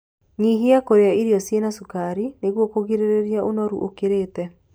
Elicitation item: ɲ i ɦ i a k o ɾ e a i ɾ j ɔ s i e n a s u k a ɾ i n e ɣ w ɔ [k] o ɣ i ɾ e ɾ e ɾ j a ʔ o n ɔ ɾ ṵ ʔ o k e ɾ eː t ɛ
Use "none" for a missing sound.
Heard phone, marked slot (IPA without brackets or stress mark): k